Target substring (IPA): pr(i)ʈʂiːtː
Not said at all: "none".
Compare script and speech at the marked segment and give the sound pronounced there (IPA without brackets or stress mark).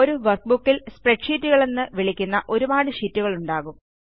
e